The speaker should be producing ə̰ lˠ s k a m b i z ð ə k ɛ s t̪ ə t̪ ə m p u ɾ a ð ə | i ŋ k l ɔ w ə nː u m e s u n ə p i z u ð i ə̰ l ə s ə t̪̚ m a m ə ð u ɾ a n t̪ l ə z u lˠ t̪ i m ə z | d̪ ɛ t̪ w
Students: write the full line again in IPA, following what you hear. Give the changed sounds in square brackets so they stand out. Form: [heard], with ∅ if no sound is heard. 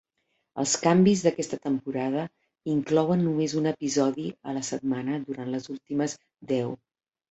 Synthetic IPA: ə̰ lˠ s k a m b i z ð ə k ɛ s t̪ ə t̪ ə m p u ɾ a ð ə | i ŋ k l ɔ w ə nː u m e [z] u n ə p i z [ɔ] ð i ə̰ l ə s ə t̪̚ m a [n] ə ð u ɾ a n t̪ l ə z u lˠ t̪ i m ə z | d̪ ɛ [∅] w